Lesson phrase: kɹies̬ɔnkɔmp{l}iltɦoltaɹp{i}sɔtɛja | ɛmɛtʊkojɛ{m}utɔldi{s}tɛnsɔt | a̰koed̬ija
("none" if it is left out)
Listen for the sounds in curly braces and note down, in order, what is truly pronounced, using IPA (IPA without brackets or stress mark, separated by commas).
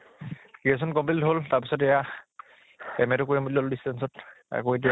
l, i, m, s